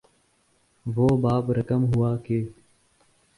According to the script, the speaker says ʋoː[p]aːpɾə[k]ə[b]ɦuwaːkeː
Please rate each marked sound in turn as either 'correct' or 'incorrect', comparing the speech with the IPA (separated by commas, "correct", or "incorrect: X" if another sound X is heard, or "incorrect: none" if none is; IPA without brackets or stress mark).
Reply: incorrect: b, correct, incorrect: m